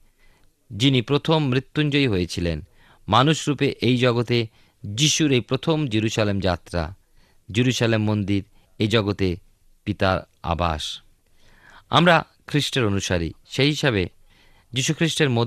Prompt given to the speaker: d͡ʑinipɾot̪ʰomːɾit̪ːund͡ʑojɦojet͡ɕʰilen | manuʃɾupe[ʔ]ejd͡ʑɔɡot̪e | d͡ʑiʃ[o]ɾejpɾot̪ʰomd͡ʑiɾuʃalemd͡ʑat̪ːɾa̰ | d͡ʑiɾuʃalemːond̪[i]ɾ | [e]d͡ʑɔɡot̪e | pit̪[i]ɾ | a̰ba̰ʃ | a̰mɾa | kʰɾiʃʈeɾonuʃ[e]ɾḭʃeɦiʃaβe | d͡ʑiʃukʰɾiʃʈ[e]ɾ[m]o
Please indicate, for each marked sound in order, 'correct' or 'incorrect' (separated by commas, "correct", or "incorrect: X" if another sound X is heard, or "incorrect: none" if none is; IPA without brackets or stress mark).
correct, incorrect: u, correct, correct, incorrect: a, incorrect: a, correct, correct